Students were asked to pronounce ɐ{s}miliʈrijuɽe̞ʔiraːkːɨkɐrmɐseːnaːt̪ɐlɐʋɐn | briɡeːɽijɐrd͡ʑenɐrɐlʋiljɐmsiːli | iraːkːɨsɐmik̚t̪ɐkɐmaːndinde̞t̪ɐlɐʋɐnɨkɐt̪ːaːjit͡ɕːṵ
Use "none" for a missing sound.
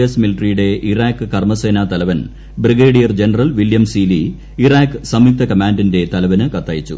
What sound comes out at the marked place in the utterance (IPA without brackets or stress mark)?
s